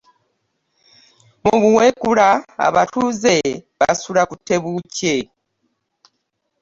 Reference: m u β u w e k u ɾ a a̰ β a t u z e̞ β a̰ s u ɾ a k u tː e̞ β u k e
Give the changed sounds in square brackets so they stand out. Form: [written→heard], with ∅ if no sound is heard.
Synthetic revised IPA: m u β u w e k u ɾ a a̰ β a t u z e̞ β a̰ s u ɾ a k u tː e̞ β u [k→c] e